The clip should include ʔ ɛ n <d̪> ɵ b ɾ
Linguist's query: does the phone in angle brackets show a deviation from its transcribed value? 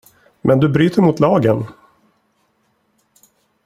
no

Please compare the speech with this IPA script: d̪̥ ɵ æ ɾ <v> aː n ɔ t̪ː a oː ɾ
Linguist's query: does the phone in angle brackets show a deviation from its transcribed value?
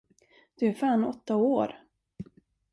yes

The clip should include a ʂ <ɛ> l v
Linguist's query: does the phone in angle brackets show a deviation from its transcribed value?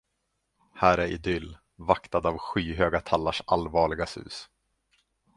yes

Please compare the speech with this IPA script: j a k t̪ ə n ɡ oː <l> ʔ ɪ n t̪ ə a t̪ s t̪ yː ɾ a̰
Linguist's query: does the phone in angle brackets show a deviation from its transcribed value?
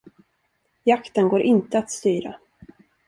yes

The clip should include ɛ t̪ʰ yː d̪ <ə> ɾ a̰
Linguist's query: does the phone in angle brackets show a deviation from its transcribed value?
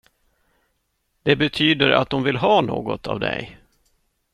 no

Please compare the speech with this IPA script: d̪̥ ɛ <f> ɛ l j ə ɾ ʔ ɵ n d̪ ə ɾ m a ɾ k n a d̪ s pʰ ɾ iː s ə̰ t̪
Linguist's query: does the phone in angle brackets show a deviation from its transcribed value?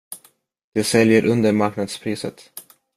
yes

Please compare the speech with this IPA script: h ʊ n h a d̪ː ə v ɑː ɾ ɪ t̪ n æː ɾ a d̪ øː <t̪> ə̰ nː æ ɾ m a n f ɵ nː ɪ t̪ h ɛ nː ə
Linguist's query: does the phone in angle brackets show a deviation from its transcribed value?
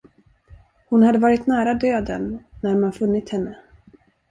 yes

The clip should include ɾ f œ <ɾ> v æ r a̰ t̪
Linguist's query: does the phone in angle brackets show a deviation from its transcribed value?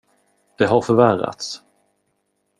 no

